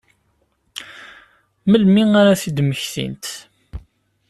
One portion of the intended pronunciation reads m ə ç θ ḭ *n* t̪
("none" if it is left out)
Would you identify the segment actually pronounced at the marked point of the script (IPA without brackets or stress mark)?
n